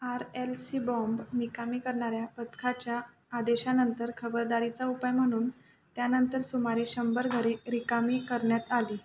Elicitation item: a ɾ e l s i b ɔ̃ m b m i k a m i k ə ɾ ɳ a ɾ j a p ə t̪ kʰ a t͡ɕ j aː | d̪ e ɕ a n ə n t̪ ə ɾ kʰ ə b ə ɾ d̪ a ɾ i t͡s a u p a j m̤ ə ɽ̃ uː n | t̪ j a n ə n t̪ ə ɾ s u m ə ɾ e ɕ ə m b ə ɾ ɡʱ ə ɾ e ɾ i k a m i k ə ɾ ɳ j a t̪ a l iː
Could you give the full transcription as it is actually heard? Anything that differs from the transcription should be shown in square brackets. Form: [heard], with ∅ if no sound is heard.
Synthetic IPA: a ɾ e l s i b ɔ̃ m b m i k a m i k ə ɾ ɳ a ɾ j a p ə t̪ kʰ a t͡ɕ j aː | d̪ e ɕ a n ə n t̪ ə ɾ kʰ ə b ə ɾ d̪ a ɾ i t͡s a u p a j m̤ ə ɽ̃ uː n | t̪ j a n ə n t̪ ə ɾ s u m [a] ɾ e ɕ ə m b ə ɾ ɡʱ ə ɾ e ɾ i k a m i k ə ɾ ɳ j a t̪ a l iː